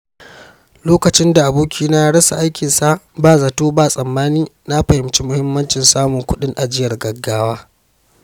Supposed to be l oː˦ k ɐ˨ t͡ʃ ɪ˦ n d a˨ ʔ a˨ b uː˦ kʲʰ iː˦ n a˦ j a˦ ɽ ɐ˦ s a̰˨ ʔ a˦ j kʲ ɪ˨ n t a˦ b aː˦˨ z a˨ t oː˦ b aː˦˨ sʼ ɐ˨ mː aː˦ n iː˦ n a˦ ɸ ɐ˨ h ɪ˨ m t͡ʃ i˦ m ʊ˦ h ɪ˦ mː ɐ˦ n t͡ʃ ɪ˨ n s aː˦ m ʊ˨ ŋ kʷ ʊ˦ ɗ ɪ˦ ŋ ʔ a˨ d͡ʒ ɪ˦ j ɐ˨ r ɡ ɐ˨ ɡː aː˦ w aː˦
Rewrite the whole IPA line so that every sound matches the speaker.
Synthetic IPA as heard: l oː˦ k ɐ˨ t͡ʃ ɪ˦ n d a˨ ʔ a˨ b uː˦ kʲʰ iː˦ n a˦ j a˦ ɽ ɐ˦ s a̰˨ ʔ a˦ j kʲ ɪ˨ n s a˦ b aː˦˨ z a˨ t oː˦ b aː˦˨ sʼ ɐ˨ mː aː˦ n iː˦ n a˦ ɸ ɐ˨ h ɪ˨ m t͡ʃ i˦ m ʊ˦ h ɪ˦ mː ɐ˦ n t͡ʃ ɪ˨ n s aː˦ m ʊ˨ ŋ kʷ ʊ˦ ɗ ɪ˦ ŋ ʔ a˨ d͡ʒ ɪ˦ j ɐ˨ r ɡ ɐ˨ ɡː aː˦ w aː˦